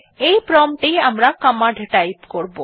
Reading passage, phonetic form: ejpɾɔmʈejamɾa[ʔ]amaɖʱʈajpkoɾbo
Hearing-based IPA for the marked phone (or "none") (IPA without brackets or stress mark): k